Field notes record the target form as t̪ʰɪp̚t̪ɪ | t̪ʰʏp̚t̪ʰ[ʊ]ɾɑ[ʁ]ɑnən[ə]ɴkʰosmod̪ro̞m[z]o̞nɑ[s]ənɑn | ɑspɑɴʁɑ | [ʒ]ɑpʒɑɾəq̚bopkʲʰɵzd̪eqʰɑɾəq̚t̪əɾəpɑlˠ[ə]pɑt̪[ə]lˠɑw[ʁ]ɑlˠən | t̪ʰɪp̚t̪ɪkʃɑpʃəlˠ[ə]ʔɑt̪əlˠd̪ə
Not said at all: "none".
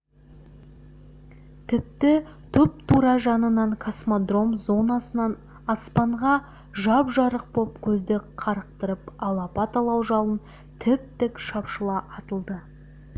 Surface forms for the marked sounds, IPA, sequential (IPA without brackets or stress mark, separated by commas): u, ʒ, ɑ, z, s, ʒ, ɑ, ɑ, ʒ, ɑ